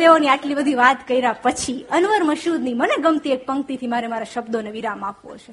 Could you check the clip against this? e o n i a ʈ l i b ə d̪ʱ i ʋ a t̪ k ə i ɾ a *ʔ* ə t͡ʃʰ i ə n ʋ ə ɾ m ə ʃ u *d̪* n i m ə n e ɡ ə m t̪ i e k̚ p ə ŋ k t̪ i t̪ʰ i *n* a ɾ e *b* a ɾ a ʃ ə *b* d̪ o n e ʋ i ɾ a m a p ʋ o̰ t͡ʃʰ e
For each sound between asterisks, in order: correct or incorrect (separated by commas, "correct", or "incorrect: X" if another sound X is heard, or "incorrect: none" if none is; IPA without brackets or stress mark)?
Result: incorrect: p, correct, incorrect: m, incorrect: m, correct